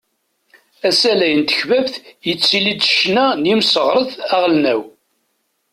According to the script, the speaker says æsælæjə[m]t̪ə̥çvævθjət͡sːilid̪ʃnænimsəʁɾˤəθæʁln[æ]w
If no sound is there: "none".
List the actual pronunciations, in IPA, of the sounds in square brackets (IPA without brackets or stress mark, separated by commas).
n, æ